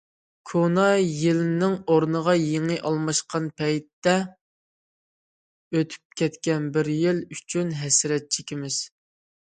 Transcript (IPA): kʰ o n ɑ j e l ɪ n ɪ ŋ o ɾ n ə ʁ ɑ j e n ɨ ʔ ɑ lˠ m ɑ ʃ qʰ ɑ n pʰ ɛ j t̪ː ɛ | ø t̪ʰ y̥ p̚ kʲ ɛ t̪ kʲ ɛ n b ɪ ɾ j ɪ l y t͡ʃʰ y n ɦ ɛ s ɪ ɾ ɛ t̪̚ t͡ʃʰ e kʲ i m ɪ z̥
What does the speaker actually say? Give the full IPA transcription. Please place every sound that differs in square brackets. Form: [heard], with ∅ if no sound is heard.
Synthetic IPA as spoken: kʰ o n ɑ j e l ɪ n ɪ ŋ o ɾ n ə ʁ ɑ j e [ŋ] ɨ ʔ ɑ lˠ m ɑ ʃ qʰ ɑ n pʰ ɛ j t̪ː ɛ | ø t̪ʰ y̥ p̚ kʲ ɛ t̪ kʲ ɛ n b ɪ ɾ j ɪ l y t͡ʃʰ y n ɦ ɛ s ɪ ɾ ɛ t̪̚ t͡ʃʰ e kʲ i m ɪ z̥